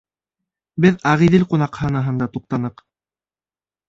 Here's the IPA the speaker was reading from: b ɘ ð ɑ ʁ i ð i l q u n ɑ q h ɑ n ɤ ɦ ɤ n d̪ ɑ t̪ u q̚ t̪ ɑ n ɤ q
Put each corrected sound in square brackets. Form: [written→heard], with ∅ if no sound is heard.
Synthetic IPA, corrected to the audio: b ɘ ð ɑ ʁ i ð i l q u n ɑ q h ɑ n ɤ ɦ ɤ n d̪ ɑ t̪ u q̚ t̪ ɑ n ɤ q